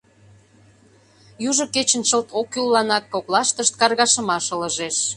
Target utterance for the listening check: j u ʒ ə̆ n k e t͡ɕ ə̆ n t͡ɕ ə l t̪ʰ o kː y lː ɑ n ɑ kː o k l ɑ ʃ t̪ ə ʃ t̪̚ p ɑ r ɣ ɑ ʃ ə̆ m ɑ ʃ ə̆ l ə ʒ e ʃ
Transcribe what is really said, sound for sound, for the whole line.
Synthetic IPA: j u ʒ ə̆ k e t͡ɕ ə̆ n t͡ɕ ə l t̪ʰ o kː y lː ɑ n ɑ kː o k l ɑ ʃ t̪ ə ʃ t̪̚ k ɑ r ɣ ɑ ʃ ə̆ m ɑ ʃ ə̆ l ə ʒ e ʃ